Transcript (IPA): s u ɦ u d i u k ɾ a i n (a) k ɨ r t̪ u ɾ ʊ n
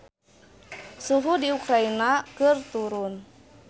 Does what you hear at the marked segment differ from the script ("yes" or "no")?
no